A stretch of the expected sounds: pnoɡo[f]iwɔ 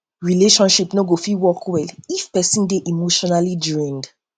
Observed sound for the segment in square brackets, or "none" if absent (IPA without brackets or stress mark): f